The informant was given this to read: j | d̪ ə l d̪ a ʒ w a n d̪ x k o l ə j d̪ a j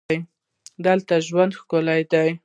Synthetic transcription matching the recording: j | d̪ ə l t̪ a ʒ w a n d̪ x k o l a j d̪ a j